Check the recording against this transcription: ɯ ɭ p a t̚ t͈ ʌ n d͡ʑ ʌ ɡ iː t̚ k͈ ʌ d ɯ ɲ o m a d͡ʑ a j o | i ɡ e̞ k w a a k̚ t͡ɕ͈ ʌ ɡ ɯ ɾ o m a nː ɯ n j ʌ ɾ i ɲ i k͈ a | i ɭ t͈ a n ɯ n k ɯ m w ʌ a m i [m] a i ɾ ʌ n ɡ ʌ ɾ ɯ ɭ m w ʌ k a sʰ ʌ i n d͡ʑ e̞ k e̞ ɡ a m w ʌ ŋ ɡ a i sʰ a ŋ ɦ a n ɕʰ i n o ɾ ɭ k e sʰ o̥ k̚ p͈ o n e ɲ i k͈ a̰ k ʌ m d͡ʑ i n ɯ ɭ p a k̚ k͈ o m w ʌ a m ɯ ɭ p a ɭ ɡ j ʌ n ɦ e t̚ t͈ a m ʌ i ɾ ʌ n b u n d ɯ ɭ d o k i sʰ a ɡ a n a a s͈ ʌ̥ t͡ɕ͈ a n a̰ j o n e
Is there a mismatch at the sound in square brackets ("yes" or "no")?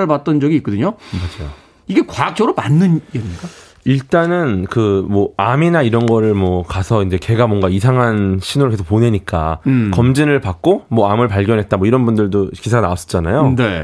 yes